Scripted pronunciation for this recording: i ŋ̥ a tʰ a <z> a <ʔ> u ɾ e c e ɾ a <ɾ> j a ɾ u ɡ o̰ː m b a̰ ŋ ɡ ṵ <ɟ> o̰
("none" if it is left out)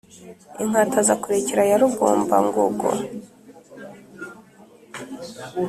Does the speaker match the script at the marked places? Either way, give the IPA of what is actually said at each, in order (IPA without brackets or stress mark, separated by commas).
z, k, none, ɡ